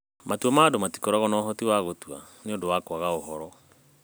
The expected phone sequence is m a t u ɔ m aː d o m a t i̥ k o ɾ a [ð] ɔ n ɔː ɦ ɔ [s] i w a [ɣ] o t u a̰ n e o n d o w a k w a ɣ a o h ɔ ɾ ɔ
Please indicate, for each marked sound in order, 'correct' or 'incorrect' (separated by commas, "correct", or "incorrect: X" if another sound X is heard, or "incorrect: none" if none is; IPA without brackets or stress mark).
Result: incorrect: ɣ, incorrect: t, correct